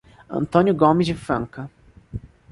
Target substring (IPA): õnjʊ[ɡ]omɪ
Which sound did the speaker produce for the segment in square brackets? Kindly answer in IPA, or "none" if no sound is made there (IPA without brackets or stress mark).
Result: ɡ